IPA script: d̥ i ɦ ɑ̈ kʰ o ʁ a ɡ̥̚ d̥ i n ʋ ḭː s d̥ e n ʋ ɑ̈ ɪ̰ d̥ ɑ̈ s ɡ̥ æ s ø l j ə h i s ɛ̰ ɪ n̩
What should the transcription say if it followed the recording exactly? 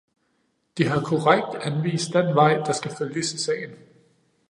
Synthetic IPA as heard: d̥ i ɦ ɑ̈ kʰ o ʁ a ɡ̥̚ d̥ æ n ʋ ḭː s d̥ e n ʋ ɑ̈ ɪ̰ d̥ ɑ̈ s ɡ̥ æ f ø l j ə s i s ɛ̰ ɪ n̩